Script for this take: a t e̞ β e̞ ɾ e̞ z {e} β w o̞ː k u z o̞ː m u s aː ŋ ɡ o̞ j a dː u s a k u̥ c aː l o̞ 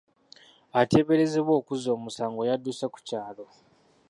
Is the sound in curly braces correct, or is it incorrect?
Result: correct